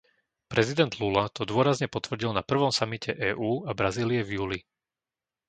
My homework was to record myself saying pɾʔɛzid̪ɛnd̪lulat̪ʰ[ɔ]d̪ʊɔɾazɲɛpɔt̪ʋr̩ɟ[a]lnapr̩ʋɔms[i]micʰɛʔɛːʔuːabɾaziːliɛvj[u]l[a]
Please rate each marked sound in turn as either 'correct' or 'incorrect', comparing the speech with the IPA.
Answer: correct, incorrect: i, incorrect: a, incorrect: uː, incorrect: i

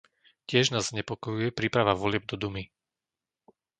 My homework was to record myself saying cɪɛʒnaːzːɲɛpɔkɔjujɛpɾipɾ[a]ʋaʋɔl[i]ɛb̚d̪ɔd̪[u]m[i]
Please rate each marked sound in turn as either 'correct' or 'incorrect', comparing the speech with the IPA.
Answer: correct, incorrect: ɪ, correct, correct

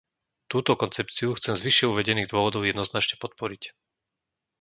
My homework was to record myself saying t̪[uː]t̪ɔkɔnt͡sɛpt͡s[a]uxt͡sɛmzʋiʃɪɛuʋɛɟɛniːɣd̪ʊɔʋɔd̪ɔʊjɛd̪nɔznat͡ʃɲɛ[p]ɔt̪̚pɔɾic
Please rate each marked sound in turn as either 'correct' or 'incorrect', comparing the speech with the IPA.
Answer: correct, incorrect: i, correct

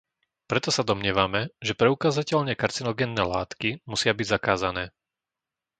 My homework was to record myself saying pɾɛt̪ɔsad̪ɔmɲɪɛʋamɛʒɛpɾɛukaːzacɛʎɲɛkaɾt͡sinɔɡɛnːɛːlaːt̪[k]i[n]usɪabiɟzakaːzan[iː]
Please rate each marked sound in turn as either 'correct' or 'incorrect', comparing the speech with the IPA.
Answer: correct, incorrect: m, incorrect: ɛː

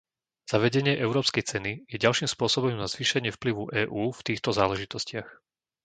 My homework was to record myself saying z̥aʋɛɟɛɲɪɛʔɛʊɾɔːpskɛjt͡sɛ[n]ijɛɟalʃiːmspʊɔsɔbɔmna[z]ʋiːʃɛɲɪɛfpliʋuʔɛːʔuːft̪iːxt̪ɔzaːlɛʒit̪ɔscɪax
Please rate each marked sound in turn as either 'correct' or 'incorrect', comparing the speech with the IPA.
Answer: correct, correct

